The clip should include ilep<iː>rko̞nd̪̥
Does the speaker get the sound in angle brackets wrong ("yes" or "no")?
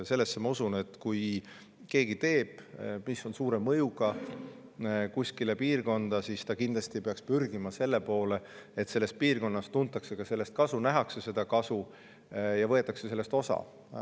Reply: no